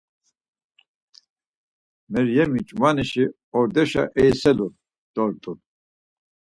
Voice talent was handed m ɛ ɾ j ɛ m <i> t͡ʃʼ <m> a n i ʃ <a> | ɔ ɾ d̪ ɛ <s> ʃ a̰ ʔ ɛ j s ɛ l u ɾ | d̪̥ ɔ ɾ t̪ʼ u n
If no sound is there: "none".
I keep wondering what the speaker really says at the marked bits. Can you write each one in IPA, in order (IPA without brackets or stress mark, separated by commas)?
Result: i, m, i, none